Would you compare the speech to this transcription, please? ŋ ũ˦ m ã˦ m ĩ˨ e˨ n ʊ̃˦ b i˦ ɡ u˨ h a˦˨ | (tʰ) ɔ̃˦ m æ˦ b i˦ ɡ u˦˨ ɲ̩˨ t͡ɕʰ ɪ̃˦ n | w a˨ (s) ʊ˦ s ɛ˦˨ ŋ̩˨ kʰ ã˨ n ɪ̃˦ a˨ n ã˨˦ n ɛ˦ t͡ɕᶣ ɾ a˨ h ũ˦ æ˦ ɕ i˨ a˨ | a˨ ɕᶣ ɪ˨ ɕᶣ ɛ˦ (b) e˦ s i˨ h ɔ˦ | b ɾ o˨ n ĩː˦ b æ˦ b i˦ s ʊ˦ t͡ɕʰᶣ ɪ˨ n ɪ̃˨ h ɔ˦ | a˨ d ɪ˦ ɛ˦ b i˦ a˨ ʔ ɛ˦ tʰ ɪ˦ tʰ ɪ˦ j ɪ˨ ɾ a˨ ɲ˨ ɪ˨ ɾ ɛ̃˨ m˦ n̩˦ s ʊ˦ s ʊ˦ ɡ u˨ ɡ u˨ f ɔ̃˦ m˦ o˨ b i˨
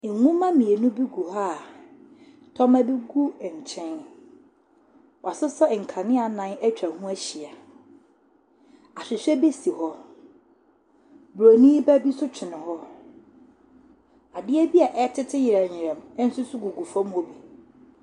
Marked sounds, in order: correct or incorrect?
correct, correct, correct

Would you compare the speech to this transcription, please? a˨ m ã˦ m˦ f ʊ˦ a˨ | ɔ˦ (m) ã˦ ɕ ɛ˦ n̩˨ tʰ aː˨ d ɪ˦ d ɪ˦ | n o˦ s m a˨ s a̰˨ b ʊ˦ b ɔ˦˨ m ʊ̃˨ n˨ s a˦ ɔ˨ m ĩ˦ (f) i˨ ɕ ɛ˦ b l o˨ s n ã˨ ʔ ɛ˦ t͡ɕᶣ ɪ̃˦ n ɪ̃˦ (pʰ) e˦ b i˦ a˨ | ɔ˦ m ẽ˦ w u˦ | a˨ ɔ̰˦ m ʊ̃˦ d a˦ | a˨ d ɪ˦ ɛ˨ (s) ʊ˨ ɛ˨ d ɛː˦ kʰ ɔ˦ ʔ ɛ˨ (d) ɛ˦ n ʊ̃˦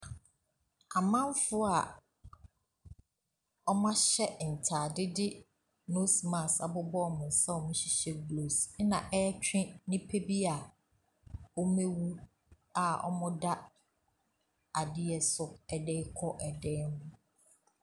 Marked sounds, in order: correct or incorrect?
correct, incorrect, correct, correct, correct

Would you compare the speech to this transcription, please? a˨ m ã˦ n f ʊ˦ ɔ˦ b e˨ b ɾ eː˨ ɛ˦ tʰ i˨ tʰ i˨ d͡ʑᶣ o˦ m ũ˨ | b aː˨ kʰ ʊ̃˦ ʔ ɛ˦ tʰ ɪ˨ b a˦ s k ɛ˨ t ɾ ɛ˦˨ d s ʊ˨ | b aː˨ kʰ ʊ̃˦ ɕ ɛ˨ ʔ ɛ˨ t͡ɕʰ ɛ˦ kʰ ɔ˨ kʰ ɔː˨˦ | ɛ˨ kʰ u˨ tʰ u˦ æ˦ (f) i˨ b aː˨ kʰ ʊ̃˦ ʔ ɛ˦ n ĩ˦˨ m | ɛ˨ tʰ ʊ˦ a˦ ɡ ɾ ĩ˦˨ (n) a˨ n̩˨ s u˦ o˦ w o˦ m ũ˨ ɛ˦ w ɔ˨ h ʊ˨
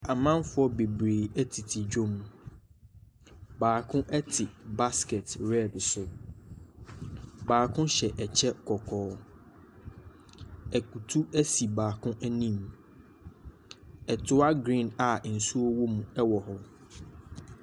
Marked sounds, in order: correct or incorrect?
incorrect, correct

